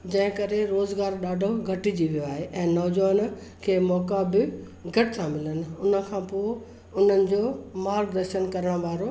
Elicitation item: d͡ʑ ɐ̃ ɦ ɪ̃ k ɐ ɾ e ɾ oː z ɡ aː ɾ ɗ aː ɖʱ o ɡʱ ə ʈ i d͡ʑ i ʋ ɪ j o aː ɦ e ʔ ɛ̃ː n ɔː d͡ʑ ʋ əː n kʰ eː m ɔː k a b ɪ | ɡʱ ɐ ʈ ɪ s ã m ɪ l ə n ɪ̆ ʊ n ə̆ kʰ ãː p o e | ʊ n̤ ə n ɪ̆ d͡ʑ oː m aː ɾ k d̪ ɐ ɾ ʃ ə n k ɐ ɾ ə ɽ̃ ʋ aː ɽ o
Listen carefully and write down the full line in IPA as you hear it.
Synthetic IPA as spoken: d͡ʑ ɐ̃ ɦ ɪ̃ k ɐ ɾ e ɾ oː z ɡ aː ɾ ɗ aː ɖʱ o ɡʱ ɐ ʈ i d͡ʑ i ʋ i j o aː ɦ e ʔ ɛ̃ː n ɔː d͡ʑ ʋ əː n kʰ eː m ɔː k a b ɪ | ɡʱ ɐ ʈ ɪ s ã m ɪ l ə n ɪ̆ ʊ n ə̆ kʰ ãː p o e | ʊ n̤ ə n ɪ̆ d͡ʑ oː m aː ɾ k d̪ ɐ ɾ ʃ ə n k ɐ ɾ ə ɽ̃ ʋ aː ɾ o